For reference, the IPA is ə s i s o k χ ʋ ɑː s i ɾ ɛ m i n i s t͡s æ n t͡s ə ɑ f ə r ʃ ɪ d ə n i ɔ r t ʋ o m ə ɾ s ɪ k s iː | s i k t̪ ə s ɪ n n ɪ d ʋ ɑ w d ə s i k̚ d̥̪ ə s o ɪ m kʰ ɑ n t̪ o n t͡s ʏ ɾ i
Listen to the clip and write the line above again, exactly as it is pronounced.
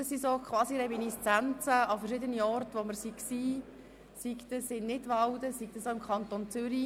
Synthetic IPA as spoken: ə s i s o k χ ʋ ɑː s i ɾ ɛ m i n i s t͡s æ n t͡s ə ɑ f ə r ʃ ɪ d ə n i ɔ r t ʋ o m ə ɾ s i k s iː | s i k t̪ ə s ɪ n n ɪ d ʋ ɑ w d ə s i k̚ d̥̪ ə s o ɪ m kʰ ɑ n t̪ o n t͡s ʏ ɾ i